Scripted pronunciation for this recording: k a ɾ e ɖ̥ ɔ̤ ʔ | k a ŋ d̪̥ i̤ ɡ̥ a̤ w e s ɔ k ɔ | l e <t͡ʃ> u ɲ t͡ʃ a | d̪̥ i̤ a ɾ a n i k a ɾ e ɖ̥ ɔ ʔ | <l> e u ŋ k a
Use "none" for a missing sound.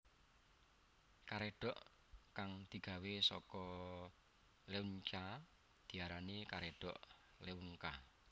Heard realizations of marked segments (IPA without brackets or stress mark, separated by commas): none, l